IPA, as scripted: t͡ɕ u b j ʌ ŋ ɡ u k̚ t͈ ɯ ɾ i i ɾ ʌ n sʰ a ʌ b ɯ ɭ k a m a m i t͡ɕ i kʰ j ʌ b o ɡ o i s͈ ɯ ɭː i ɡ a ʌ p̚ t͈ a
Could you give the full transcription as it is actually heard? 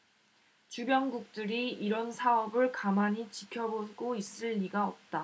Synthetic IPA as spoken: t͡ɕ u b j ʌ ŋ ɡ u k̚ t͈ ɯ ɾ i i ɾ ʌ n sʰ a ʌ b ɯ ɭ k a m a ɲ i t͡ɕ i kʰ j ʌ b o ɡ o i s͈ ɯ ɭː i ɡ a ʌ p̚ t͈ a